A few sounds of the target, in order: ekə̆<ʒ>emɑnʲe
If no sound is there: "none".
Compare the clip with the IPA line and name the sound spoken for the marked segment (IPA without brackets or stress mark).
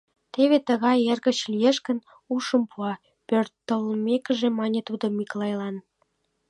ʒ